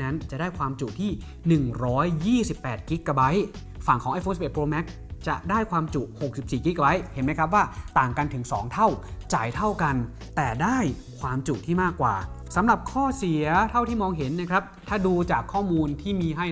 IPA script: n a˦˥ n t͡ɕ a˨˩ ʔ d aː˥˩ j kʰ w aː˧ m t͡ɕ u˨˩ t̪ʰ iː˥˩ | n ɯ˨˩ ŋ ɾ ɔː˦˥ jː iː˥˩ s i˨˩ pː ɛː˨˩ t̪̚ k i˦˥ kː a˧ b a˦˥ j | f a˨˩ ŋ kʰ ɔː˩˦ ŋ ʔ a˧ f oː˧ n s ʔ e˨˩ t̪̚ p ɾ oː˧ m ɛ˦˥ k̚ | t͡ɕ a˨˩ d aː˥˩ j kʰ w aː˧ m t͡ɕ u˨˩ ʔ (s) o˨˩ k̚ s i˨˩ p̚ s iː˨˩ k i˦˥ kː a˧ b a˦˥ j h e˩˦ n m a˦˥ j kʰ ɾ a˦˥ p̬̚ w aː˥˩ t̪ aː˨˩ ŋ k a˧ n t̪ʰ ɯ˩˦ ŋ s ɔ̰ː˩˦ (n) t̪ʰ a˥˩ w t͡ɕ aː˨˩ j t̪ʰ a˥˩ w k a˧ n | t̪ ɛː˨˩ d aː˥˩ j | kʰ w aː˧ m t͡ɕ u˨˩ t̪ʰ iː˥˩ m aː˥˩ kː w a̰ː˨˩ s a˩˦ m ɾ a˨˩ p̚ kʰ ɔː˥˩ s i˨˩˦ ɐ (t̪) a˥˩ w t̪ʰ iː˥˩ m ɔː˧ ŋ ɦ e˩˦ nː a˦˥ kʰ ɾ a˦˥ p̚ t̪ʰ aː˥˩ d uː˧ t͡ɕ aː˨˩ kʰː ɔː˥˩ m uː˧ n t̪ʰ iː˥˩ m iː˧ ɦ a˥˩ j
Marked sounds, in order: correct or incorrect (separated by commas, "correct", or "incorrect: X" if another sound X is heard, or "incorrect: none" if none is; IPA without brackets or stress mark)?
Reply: incorrect: h, incorrect: ŋ, incorrect: t̪ʰ